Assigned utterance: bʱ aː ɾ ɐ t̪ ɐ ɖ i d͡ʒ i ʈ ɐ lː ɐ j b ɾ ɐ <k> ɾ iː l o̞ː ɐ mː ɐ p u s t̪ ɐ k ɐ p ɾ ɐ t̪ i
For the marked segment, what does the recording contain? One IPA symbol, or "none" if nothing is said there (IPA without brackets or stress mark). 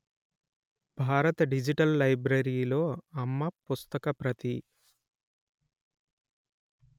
none